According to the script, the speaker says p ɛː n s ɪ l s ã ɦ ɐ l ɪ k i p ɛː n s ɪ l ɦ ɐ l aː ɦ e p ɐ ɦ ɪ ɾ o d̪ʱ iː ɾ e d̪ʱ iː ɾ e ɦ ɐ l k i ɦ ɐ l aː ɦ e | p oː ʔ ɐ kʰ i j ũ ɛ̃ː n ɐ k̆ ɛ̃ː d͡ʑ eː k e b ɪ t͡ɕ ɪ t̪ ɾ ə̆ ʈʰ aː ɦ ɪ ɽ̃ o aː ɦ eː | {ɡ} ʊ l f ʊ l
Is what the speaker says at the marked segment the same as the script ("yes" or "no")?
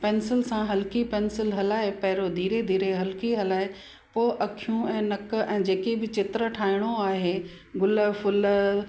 yes